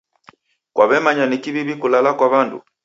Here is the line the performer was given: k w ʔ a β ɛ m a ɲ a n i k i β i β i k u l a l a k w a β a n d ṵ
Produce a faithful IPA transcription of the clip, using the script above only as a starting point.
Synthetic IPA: k w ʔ a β ɛ m a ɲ a n i k i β i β i k u l a l a k w a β a n d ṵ